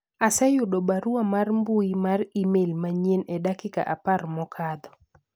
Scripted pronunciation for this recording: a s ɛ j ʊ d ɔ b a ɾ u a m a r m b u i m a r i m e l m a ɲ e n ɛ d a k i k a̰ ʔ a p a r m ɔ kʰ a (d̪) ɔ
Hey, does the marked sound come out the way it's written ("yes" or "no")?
yes